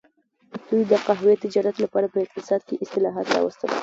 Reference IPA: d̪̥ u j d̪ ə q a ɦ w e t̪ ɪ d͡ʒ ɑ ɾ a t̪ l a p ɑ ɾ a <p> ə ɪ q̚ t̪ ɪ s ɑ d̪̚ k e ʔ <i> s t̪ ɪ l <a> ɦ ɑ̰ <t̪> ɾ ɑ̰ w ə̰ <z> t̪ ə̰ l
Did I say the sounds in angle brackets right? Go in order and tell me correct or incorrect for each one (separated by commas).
correct, incorrect, incorrect, correct, incorrect